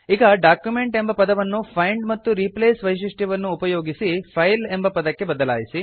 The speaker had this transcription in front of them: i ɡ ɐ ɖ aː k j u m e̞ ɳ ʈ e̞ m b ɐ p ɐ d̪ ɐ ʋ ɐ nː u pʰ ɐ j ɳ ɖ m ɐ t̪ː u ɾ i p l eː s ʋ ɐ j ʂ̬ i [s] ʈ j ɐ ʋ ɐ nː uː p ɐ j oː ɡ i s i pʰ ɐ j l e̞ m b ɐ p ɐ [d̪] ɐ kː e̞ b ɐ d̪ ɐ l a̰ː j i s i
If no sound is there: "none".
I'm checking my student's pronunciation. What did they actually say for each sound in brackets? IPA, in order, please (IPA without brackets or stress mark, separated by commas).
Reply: ʂ, d̪